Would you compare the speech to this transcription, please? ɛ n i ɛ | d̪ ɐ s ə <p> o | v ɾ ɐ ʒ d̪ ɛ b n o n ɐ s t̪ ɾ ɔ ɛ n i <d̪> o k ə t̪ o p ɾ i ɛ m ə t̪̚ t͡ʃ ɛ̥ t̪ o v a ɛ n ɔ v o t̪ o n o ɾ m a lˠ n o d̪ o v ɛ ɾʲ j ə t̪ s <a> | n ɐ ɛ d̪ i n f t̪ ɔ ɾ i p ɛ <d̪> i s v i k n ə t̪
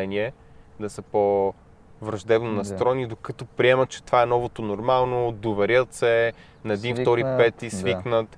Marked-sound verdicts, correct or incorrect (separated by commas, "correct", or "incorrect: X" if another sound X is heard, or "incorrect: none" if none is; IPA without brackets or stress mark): correct, correct, incorrect: ɛ, incorrect: t̪